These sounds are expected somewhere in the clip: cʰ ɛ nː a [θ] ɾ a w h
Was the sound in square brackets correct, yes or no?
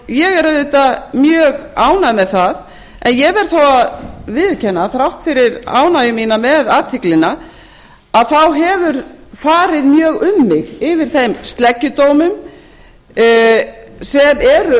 yes